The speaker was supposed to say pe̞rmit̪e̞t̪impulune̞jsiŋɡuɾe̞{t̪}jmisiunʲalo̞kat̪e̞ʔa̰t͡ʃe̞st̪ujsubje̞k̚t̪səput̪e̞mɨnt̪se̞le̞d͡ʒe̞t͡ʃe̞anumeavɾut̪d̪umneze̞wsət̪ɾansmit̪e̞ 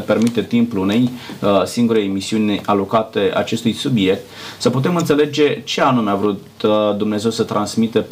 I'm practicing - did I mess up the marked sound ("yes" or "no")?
yes